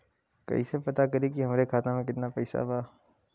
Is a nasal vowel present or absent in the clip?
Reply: present